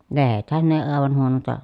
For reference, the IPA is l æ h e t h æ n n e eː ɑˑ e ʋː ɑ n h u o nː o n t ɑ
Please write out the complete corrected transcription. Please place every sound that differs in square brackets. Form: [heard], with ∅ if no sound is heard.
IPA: l [e] h e t h æ n n e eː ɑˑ e [ʋ] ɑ n h u o [n] o n t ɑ

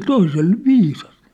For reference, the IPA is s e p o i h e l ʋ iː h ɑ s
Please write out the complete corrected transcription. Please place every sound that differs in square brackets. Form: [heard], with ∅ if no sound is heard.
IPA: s e [t] o i [s] e l ʋ iː [s] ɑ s

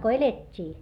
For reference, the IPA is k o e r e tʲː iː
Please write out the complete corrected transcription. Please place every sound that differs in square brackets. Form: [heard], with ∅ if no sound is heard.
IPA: k o e [l] e tʲː iː

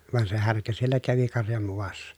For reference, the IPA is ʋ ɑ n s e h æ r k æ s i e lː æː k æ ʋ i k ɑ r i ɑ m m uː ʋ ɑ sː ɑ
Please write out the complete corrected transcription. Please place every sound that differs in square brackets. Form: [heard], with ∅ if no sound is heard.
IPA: ʋ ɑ n s e h æ r k æ s i e lː [æ] k æ ʋ i k ɑ r [j] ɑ m m [u] ʋ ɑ sː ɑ

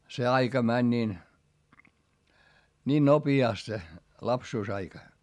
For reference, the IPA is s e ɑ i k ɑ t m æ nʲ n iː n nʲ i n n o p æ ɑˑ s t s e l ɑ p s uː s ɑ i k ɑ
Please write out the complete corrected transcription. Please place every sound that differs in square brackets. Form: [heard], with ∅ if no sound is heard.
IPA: s e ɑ i k ɑ [∅] m æ nʲ n iː n nʲ [iː] n n o p [i] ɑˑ s t s e l ɑ p s uː s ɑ i k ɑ

